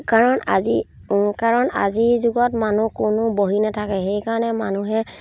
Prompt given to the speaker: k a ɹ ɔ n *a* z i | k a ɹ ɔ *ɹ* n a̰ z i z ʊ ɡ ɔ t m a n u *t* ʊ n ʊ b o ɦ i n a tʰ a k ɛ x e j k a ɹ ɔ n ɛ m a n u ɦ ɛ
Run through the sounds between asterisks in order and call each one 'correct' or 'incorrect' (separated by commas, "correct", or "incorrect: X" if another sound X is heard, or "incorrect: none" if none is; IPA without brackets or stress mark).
correct, incorrect: none, incorrect: k